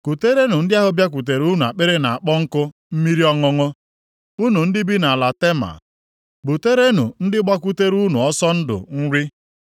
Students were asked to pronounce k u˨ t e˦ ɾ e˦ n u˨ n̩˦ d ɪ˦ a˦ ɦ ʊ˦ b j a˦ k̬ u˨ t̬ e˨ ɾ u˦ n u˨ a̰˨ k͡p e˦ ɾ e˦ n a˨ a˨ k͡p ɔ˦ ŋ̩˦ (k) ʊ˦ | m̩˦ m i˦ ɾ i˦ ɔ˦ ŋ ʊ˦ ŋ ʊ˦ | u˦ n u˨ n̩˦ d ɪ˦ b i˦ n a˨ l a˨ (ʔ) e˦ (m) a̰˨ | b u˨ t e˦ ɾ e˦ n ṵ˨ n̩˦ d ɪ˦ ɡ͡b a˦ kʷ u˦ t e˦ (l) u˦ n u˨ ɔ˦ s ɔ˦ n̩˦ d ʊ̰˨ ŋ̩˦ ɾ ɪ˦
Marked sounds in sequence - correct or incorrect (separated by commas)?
correct, incorrect, correct, incorrect